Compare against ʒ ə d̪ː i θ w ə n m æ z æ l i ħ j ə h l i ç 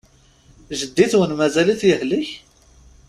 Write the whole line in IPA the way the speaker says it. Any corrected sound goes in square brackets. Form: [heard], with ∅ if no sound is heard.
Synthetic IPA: ʒ ə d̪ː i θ w ə n m æ z æ l i [θ] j ə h l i ç